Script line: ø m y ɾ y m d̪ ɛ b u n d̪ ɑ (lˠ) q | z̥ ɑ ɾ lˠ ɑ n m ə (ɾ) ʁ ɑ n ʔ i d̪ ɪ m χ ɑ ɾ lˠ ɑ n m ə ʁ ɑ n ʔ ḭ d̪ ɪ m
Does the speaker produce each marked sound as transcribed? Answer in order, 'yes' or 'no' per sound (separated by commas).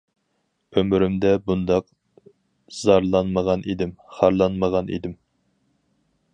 no, no